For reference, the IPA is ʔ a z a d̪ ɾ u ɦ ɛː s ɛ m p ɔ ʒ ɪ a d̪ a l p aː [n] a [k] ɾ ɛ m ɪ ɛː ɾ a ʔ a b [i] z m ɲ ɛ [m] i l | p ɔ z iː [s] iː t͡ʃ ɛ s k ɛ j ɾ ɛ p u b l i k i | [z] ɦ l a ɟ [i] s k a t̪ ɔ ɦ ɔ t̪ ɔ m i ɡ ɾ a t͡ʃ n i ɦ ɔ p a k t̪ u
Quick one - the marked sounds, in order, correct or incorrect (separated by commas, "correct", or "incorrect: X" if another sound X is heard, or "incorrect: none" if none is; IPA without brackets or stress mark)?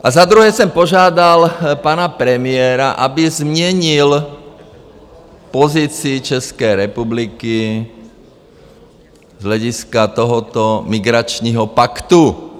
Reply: correct, incorrect: p, correct, incorrect: ɲ, incorrect: t͡s, correct, correct